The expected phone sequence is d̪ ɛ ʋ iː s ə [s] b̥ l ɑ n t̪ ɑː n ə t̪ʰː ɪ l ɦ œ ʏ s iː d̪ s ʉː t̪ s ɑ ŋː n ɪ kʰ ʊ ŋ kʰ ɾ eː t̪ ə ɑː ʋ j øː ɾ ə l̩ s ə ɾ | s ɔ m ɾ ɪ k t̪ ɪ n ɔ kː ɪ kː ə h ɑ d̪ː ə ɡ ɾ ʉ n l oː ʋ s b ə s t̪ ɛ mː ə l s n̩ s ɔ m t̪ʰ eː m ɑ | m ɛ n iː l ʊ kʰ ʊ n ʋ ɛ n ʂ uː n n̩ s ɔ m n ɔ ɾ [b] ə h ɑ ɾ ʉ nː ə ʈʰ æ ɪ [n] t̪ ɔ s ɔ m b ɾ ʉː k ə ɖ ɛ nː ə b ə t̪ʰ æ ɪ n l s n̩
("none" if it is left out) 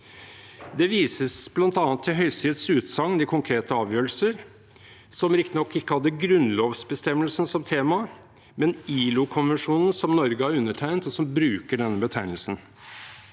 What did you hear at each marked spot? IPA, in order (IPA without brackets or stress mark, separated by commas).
s, ɡ, n